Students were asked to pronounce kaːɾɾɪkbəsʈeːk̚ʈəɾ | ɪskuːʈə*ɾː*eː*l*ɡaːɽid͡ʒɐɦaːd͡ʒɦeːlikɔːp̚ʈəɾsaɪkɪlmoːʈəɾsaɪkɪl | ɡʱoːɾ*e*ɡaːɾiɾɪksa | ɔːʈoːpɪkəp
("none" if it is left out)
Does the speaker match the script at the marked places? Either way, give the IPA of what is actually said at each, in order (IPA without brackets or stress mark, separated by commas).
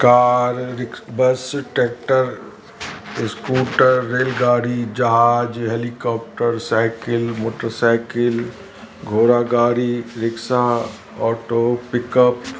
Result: ɾː, l, a